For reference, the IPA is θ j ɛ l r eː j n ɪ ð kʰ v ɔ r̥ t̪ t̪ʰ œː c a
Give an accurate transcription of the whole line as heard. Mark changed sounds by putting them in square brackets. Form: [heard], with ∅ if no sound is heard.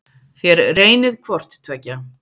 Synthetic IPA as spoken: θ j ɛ [ɾ] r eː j n ɪ ð kʰ v ɔ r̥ t̪ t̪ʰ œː c a